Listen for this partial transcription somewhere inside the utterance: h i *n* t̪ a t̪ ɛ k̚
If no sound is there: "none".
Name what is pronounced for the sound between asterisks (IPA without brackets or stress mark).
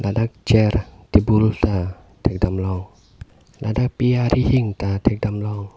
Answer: ŋ